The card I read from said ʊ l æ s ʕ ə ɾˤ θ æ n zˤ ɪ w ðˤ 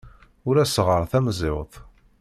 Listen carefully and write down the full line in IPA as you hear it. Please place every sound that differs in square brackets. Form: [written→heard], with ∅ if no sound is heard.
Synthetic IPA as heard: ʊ [l→ɾ] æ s [ʕ→ʁ] ə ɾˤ θ æ [n→m] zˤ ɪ w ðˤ